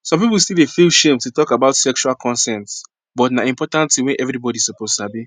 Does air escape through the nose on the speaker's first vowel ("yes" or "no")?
yes